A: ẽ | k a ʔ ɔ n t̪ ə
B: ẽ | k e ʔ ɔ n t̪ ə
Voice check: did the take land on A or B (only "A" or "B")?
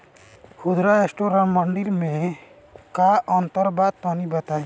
A